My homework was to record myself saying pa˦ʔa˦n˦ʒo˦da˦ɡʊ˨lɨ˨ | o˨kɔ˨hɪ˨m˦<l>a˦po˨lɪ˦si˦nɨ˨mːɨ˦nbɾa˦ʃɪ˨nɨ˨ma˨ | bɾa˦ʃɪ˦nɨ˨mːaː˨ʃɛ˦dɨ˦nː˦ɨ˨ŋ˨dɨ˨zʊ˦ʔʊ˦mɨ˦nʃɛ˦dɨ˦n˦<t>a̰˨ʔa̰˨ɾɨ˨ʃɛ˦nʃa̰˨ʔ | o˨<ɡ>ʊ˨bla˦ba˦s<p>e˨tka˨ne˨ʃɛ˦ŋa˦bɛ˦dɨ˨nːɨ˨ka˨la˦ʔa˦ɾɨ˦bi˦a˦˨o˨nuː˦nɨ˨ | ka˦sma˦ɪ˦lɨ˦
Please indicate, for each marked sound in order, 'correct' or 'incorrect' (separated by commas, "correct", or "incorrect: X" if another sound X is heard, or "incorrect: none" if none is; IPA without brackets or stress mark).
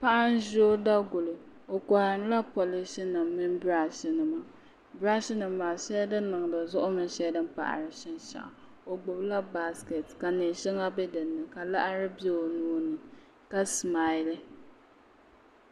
correct, incorrect: p, incorrect: ɡ͡b, incorrect: k